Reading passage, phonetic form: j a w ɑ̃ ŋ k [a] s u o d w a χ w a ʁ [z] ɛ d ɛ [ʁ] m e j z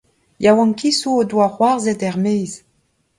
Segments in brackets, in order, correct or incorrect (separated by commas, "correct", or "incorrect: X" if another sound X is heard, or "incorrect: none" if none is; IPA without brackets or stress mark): incorrect: i, correct, correct